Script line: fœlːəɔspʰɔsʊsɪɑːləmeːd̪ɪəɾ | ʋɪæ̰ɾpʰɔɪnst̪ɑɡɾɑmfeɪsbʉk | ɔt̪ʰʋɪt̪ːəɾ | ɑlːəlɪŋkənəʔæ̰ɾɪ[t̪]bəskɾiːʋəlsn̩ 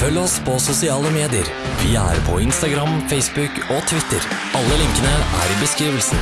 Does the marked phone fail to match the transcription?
yes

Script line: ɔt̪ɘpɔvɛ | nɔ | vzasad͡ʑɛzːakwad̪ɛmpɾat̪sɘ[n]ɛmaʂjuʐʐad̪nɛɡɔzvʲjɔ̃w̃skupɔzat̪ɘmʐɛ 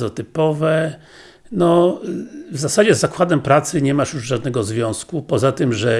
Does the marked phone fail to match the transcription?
yes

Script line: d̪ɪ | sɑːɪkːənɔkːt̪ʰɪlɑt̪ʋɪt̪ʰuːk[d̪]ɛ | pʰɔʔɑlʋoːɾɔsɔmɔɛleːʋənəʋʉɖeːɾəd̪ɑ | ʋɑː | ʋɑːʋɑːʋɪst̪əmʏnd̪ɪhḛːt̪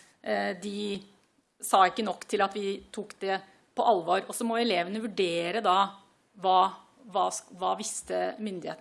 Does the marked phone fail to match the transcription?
no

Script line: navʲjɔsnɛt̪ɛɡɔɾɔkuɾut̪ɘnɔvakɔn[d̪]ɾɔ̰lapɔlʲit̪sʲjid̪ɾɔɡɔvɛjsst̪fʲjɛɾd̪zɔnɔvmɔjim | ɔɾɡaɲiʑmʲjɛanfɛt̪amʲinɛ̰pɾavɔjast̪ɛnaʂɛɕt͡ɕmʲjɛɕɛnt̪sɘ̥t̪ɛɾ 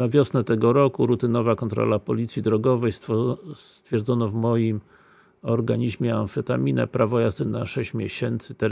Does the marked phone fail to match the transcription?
yes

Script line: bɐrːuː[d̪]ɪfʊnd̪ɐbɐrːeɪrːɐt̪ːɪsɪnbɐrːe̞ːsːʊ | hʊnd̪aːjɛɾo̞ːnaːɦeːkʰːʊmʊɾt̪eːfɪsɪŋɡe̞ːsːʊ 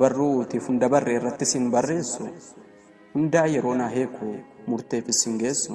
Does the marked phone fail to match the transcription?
yes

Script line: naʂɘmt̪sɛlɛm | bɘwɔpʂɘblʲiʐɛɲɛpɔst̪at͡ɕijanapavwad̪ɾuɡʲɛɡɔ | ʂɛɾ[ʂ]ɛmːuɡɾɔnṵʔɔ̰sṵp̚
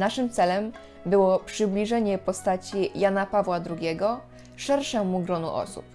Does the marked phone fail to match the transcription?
no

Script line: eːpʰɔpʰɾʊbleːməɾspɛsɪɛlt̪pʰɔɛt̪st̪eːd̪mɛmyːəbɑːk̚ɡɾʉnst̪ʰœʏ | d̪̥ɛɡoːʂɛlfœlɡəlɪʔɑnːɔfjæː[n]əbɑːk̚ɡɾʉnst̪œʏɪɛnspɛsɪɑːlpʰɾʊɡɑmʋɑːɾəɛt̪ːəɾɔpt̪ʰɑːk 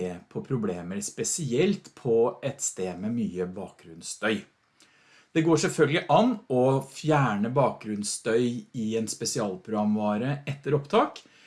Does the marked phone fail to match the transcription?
yes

